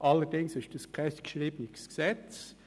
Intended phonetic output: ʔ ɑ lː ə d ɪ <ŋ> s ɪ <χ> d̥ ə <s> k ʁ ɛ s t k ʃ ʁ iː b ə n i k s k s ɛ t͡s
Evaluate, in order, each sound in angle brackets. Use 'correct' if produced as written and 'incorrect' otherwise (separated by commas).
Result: correct, incorrect, correct